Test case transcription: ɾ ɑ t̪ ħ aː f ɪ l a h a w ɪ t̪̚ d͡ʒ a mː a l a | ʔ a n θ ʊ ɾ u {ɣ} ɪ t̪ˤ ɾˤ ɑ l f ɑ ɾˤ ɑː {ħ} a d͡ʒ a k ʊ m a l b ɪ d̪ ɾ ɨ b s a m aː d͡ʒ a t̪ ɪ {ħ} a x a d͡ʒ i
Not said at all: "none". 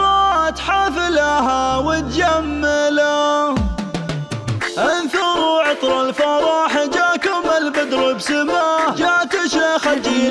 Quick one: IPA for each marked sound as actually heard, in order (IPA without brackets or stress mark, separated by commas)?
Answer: ʕ, ħ, ʃ